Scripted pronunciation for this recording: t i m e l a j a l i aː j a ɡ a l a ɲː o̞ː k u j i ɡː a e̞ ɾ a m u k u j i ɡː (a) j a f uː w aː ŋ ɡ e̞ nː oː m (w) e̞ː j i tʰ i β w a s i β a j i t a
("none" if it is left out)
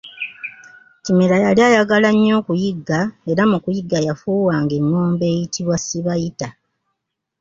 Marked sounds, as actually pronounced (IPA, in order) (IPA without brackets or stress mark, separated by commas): a, b